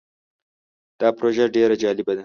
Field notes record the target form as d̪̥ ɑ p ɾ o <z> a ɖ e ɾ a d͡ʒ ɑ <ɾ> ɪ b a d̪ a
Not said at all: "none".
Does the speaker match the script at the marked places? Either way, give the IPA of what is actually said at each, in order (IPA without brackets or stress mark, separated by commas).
ʒ, l